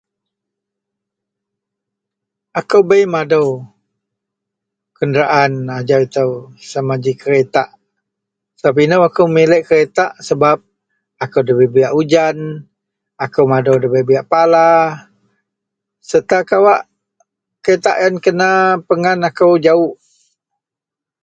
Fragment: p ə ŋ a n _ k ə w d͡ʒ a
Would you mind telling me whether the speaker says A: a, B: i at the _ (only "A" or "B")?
A